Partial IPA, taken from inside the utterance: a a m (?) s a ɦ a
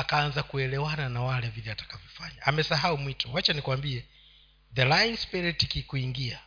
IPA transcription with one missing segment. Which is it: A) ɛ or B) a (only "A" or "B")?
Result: A